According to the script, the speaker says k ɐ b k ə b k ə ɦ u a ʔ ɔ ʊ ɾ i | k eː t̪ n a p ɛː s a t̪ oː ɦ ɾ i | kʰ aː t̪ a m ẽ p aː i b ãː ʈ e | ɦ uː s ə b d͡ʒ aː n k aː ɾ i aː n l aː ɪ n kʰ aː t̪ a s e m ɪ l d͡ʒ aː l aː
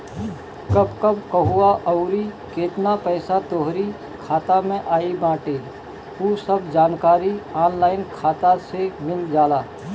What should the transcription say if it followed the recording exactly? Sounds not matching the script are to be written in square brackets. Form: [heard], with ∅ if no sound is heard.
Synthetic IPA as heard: k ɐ b k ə b k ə ɦ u a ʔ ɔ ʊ ɾ i | k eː t̪ n a p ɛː s a t̪ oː ɦ ɾ i | kʰ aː t̪ a m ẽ [ʔ] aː i b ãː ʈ e | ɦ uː s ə b d͡ʒ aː n k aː ɾ i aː n l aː ɪ n kʰ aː t̪ a s e m ɪ l d͡ʒ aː l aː

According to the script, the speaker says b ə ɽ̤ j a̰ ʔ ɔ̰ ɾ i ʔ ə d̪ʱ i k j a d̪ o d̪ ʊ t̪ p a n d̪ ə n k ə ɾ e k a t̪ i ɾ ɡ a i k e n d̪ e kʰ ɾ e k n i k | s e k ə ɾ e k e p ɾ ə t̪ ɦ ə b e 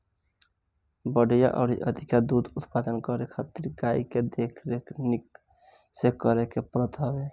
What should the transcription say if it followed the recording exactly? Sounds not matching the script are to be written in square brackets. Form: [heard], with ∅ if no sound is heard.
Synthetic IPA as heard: b ə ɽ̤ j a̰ ʔ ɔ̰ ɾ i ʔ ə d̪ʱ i k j a d̪ [u] d̪ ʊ t̪ p a [∅] d̪ ə n k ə ɾ e [kʰ] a t̪ i ɾ ɡ a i k e [∅] d̪ e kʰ ɾ e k n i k | s e k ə ɾ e k e p ɾ ə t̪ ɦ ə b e

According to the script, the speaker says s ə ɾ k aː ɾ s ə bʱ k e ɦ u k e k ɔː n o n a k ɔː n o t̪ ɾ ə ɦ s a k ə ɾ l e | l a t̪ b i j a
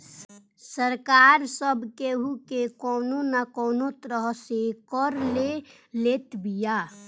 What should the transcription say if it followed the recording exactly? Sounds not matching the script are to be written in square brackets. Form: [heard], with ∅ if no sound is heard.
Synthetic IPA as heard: s ə ɾ k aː ɾ s ə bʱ k e ɦ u k e k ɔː n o n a k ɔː n o t̪ ɾ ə ɦ s [e] k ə ɾ l e | l [e] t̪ b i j a

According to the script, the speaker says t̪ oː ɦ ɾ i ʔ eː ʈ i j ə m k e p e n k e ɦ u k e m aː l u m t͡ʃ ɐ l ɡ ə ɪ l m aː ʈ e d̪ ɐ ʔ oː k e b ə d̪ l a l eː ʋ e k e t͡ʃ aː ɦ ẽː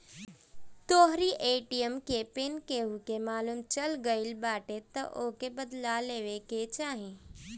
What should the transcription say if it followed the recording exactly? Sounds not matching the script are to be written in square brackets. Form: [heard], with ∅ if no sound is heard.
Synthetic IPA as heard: t̪ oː ɦ ɾ i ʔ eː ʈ i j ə m k e p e n k e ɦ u k e m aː l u m t͡ʃ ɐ l ɡ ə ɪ l [b] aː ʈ e [t̪] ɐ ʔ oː k e b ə d̪ l a l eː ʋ e k e t͡ʃ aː ɦ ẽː

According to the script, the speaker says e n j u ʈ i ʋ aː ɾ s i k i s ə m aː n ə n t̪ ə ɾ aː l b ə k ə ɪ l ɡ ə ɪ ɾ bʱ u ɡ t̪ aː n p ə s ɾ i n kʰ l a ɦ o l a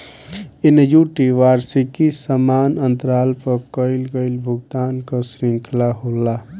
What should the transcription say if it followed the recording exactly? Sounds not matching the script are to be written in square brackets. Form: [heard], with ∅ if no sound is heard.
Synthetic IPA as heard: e n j u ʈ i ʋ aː ɾ s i k i s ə m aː n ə n t̪ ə ɾ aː l [p] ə k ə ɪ l ɡ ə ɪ [l] bʱ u ɡ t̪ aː n [k] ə s ɾ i [ŋ] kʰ l a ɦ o l a

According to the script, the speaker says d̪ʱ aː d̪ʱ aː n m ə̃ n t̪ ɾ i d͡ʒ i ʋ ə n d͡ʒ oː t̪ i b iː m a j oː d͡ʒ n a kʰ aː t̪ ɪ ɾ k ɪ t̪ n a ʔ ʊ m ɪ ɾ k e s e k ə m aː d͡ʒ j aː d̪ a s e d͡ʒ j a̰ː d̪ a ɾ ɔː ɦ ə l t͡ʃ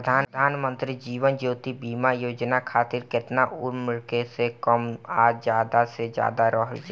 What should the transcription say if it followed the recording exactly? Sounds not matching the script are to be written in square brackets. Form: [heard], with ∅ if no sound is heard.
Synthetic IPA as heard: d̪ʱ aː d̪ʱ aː n m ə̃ n t̪ ɾ i d͡ʒ [iː] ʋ ə n d͡ʒ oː t̪ i b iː m a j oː d͡ʒ n a kʰ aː t̪ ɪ ɾ k ɪ t̪ n a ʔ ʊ m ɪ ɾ k e s e k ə m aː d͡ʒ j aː d̪ a s e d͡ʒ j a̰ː d̪ a ɾ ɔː ɦ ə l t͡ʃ

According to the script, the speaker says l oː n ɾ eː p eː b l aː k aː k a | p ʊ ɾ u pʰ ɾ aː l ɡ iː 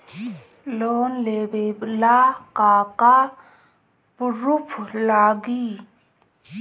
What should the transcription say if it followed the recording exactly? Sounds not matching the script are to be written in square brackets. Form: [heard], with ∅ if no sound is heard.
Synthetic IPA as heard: l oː n [l] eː [b] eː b l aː k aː k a | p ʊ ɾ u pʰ [l] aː [∅] ɡ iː

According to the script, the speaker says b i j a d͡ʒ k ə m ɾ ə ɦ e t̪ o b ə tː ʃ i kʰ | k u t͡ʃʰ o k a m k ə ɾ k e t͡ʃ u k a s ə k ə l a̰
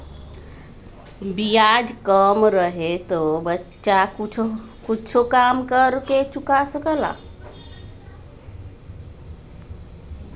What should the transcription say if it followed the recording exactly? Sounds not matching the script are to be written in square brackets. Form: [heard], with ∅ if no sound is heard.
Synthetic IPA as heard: b i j a d͡ʒ k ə m ɾ ə ɦ e t̪ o b ə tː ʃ [a] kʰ | k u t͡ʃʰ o k a m k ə ɾ k e t͡ʃ u k a s ə k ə l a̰

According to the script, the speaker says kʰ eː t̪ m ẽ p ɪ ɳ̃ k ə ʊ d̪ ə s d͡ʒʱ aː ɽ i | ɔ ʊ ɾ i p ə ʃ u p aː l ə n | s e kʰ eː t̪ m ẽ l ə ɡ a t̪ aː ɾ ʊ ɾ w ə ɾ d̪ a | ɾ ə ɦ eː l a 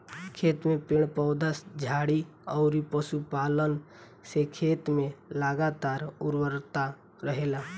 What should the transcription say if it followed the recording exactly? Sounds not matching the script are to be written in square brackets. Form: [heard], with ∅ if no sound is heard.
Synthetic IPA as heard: kʰ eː t̪ m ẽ p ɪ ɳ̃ [p] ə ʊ d̪ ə s d͡ʒʱ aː ɽ i | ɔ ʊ ɾ i p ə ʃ u p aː l ə n | s e kʰ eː t̪ m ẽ l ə ɡ a t̪ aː ɾ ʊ ɾ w ə ɾ [t̪] a | ɾ ə ɦ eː l a

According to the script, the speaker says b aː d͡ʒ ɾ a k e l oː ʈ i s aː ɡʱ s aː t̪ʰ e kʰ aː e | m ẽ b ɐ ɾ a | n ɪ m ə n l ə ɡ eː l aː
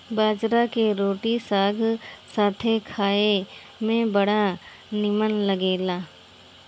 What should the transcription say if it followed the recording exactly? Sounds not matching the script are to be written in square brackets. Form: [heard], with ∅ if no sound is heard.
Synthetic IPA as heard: b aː d͡ʒ ɾ a k e [ɾ] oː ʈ i s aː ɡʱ s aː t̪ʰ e kʰ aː e | m ẽ b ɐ [ɽ] a | n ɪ m ə n l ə ɡ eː l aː

